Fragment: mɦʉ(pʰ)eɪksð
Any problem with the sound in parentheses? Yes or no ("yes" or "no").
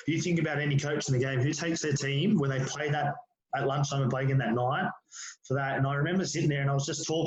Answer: yes